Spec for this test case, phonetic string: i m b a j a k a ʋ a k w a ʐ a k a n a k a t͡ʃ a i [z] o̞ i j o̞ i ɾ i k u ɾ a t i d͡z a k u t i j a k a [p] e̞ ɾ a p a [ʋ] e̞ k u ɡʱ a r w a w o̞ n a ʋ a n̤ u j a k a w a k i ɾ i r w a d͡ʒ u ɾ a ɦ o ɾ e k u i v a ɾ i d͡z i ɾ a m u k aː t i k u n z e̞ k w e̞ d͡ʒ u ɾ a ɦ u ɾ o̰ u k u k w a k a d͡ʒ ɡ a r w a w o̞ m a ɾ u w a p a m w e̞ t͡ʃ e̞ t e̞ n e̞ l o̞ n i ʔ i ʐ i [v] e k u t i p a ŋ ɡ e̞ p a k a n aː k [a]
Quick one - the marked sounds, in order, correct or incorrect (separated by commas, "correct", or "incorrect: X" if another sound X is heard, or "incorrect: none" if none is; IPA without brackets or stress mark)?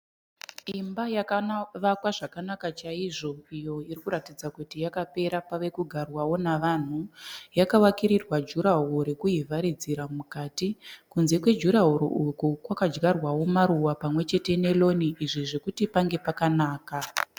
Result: incorrect: ʐ, correct, correct, incorrect: ʐ, correct